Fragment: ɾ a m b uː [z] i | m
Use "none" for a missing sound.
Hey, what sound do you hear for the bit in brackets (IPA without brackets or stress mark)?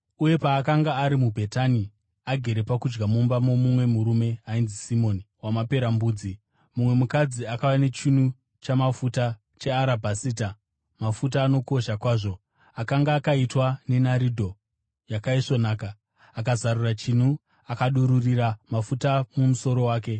d͡z